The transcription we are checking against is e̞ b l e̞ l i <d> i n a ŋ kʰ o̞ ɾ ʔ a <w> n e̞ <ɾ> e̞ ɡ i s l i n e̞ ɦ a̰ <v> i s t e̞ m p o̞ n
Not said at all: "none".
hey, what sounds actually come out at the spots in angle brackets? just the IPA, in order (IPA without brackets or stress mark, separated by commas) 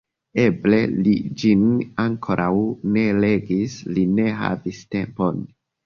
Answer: d͡ʒ, w, l, v